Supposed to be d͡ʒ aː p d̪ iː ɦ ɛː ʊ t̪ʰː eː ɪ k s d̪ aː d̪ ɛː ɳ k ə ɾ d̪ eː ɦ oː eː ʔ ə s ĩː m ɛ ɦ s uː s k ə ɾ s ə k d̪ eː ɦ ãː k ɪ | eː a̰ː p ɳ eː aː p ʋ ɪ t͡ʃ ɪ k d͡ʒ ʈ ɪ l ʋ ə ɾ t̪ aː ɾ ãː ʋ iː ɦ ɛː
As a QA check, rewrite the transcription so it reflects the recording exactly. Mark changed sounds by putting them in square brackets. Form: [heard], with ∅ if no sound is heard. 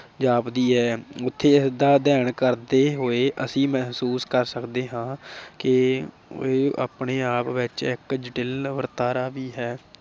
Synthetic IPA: d͡ʒ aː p d̪ iː ɦ ɛː ʊ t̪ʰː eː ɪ [∅] s d̪ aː d̪ ɛː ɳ k ə ɾ d̪ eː ɦ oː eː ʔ ə s ĩː m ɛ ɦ s uː s k ə ɾ s ə k d̪ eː ɦ ãː k ɪ | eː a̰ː p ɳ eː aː p ʋ ɪ t͡ʃ ɪ k d͡ʒ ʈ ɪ l ʋ ə ɾ t̪ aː ɾ [aː] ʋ iː ɦ ɛː

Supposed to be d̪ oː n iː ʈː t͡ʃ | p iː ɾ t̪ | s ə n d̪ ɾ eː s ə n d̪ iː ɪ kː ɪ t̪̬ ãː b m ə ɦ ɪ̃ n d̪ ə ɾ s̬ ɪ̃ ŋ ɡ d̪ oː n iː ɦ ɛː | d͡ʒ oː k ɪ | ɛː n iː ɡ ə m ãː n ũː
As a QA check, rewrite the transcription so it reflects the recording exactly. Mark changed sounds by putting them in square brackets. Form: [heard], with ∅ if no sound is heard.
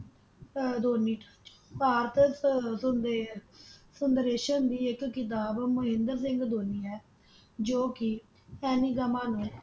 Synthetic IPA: d̪ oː n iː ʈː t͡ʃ | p [aː] ɾ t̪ | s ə n d̪ ɾ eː [ʃ] ə n d̪ iː ɪ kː ɪ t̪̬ [aː] b m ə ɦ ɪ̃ n d̪ ə ɾ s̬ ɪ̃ ŋ ɡ d̪ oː n iː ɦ ɛː | d͡ʒ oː k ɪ | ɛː n iː ɡ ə m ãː n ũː

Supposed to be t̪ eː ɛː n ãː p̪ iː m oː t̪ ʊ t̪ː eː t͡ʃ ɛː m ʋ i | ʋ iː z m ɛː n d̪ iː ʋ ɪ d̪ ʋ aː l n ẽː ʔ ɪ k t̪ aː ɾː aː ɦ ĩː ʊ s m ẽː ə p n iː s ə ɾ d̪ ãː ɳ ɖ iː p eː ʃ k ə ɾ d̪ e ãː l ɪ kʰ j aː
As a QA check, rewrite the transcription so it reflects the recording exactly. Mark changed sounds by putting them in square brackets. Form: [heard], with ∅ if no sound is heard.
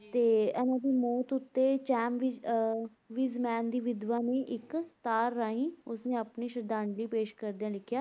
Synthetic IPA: t̪ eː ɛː n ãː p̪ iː m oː t̪ ʊ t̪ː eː t͡ʃ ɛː m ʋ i | ʋ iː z m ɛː n d̪ iː ʋ ɪ d̪ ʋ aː [∅] n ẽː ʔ ɪ k t̪ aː ɾː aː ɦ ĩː ʊ s [n] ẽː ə p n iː [ʃ] ə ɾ d̪ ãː ɳ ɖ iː p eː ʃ k ə ɾ d̪ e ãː l ɪ kʰ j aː

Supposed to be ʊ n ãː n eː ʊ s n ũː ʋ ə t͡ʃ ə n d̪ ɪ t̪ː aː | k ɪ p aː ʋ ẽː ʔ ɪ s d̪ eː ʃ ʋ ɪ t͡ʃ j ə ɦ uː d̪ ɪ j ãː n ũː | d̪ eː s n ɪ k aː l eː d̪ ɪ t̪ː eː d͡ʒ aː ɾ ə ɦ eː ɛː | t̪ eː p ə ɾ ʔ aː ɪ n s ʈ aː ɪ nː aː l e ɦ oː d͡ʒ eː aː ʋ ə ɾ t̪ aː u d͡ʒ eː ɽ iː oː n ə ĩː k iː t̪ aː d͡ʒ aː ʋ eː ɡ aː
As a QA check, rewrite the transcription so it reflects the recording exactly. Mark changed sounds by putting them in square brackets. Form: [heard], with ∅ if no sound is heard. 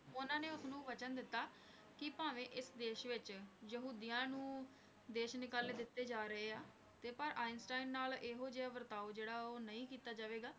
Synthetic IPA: ʊ n ãː n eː ʊ s n ũː ʋ ə t͡ʃ ə n d̪ ɪ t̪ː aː | k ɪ p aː ʋ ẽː ʔ ɪ s d̪ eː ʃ ʋ ɪ t͡ʃ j ə ɦ uː d̪ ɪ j ãː n ũː | d̪ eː [ʃ] n ɪ k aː l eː d̪ ɪ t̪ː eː d͡ʒ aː ɾ ə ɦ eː [aː] | t̪ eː p ə ɾ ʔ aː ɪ n s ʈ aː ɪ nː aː l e ɦ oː d͡ʒ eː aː ʋ ə ɾ t̪ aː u d͡ʒ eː ɽ [aː] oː n ə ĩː k iː t̪ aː d͡ʒ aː ʋ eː ɡ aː

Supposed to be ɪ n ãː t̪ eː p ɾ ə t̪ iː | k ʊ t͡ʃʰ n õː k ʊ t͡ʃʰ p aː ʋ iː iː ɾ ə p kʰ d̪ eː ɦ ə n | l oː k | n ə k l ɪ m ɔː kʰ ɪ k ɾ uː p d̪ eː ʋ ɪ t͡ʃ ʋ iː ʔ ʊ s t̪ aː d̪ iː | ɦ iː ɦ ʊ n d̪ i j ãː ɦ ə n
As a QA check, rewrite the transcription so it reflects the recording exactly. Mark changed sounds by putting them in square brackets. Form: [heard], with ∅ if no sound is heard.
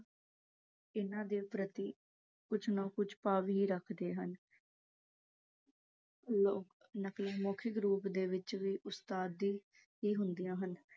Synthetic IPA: ɪ n ãː [d̪] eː p ɾ ə t̪ iː | k ʊ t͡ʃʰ n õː k ʊ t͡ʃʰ p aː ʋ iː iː ɾ ə [∅] kʰ d̪ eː ɦ ə n | l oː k | n ə k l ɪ m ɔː kʰ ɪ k ɾ uː p d̪ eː ʋ ɪ t͡ʃ ʋ iː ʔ ʊ s t̪ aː d̪ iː | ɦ iː ɦ ʊ n d̪ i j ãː ɦ ə n

